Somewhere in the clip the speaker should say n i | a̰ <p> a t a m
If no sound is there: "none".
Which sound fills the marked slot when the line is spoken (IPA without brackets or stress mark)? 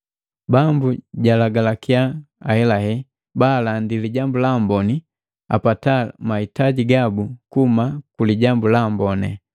p